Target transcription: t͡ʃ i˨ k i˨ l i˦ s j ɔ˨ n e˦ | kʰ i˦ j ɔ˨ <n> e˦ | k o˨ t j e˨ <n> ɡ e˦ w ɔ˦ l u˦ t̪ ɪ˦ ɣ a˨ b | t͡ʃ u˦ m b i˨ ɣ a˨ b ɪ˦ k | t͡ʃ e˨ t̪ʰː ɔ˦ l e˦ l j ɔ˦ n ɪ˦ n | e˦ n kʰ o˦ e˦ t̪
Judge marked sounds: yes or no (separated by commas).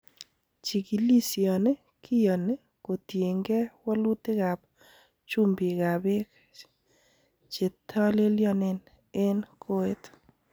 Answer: yes, no